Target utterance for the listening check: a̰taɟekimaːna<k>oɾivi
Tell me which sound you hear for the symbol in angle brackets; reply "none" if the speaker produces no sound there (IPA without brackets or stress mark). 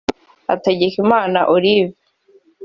ʔ